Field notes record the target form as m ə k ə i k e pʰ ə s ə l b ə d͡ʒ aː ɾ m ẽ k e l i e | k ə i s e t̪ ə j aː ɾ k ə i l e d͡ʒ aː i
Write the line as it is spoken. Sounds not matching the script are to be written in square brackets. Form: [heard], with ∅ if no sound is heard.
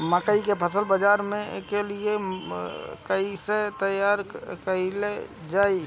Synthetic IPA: m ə k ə i k e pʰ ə s ə l b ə d͡ʒ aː ɾ m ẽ k e l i e | k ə i s e t̪ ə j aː ɾ k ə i l e d͡ʒ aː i